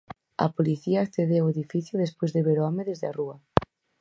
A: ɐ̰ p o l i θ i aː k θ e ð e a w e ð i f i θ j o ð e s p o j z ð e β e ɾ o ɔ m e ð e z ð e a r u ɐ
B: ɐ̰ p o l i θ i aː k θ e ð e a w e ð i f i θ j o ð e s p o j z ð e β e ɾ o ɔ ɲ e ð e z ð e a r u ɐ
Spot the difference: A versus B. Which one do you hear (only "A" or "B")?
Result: A